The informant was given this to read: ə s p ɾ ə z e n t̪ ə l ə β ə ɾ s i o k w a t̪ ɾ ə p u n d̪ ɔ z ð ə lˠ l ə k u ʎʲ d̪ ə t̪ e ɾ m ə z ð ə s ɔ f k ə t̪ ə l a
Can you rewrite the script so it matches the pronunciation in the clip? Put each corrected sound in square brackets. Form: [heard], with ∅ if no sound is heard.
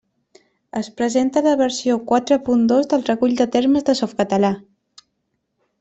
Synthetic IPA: ə s p ɾ ə z e n t̪ ə l ə β ə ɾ s i o k w a t̪ ɾ ə p u n d̪ [o] z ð ə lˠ [r] ə k u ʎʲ d̪ ə t̪ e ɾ m ə z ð ə s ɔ f k ə t̪ ə l a